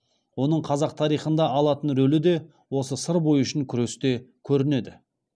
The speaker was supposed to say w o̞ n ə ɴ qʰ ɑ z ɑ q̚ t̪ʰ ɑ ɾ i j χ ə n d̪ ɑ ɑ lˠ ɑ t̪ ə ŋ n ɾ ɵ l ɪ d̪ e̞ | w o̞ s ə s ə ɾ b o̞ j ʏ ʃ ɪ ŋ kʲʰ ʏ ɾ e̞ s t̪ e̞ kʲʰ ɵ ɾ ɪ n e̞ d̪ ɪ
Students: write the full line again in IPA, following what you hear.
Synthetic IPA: w o̞ n ə ɴ qʰ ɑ z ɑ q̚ t̪ʰ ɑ ɾ i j χ ə n d̪ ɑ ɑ lˠ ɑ t̪ ə n ɾ ɵ l ɪ d̪ e̞ | w o̞ s ə s ə ɾ b o̞ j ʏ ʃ ɪ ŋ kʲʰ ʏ ɾ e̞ s t̪ e̞ kʲʰ ɵ ɾ ɪ n e̞ d̪ ɪ